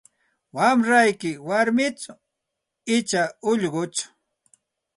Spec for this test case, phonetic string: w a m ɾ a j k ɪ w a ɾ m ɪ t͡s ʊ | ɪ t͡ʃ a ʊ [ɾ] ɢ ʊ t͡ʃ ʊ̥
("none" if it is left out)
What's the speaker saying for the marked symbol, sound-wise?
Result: ʎ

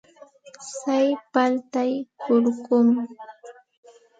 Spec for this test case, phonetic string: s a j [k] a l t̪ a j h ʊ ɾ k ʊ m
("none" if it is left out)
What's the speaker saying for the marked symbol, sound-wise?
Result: p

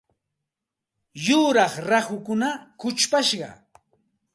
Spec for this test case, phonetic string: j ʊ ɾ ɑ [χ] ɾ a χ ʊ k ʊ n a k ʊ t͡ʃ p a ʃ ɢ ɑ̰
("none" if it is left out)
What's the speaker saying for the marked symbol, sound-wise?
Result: χ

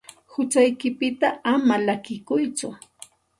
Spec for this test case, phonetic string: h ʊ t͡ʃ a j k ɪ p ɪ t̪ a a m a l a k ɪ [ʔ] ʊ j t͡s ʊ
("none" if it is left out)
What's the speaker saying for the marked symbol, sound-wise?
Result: k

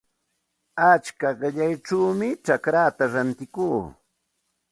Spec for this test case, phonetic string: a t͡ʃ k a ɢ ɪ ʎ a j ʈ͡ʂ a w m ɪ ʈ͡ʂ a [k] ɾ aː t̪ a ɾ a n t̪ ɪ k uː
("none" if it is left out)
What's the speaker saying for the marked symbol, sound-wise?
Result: k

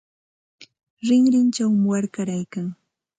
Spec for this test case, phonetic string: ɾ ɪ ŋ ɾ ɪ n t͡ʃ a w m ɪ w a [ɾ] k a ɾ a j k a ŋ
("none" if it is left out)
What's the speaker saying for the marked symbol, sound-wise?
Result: ɾ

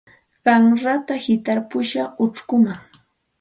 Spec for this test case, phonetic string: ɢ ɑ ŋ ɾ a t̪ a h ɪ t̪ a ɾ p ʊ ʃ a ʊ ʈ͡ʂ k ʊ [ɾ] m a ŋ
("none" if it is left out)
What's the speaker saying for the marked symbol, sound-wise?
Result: none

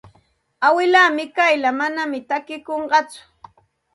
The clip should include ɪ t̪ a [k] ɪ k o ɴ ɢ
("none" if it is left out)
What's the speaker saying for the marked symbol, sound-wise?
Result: k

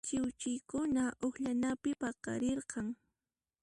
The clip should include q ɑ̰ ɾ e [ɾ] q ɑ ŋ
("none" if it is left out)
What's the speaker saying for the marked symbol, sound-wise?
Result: ɾ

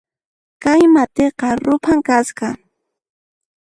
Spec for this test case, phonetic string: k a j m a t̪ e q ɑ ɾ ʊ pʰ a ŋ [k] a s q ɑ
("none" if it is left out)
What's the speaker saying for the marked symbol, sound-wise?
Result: k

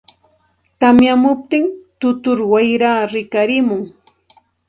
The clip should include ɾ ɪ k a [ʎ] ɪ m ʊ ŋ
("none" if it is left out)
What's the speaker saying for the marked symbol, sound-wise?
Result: ɾ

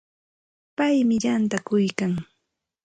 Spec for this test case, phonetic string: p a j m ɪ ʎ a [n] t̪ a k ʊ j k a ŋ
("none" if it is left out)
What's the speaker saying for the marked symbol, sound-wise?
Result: n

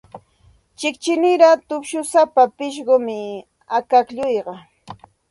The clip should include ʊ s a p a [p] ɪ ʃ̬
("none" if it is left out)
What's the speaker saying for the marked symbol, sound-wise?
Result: p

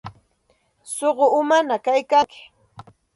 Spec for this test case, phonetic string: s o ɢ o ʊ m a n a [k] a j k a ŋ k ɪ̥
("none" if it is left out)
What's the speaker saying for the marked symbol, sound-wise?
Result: k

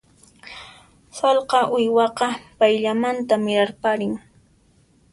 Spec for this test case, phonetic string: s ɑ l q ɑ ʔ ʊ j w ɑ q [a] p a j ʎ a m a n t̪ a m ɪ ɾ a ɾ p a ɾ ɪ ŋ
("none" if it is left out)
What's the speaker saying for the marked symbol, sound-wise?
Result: ɑ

